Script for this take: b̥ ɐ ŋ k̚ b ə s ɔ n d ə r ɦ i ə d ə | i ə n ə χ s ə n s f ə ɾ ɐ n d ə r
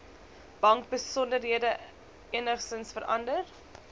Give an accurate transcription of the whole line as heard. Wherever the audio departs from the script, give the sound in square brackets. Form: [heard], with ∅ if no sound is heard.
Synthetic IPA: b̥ ɐ ŋ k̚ b ə s ɔ n d ə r ɦ i ə d ə | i ə n ə χ s ə n s f ə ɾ ɐ n d ə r